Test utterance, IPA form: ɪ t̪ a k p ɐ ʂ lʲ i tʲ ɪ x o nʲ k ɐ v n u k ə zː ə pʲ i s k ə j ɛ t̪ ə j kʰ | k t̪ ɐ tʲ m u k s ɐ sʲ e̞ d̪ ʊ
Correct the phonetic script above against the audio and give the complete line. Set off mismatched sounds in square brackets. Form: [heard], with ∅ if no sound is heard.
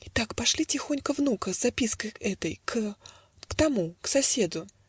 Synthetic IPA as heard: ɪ t̪ a k p ɐ ʂ lʲ i tʲ ɪ x o nʲ k [ə] v n u k ə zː [ɐ] pʲ i s k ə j ɛ t̪ ə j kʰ | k t̪ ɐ [∅] m u k s ɐ sʲ e̞ d̪ ʊ